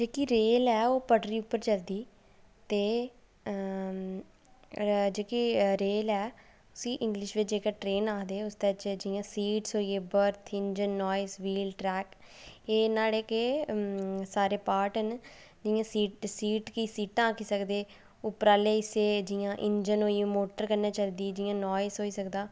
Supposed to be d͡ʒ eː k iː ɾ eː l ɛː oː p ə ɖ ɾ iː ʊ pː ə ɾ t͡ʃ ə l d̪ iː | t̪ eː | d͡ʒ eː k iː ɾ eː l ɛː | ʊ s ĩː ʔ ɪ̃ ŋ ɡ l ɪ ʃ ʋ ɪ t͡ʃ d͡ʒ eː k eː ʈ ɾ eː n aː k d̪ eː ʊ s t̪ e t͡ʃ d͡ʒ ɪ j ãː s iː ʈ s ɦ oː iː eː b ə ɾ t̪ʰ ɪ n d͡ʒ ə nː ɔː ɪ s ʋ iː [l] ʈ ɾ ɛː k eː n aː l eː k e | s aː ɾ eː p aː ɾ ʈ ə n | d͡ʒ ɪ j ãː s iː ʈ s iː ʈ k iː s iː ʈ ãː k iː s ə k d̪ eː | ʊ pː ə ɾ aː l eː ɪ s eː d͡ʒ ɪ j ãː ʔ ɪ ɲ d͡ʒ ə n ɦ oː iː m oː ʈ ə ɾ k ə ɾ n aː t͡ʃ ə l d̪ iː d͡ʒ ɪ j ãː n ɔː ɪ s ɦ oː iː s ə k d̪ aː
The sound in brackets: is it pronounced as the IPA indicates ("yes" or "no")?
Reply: yes